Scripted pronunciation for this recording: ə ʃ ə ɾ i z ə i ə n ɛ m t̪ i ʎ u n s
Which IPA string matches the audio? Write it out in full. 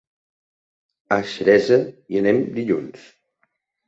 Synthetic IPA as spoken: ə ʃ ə ɾ ɛ z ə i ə n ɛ m d̪ i ʎ u n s